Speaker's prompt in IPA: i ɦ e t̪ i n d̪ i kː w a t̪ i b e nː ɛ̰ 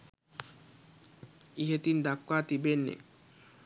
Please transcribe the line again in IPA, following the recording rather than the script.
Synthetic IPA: i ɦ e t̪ i n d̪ a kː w a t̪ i b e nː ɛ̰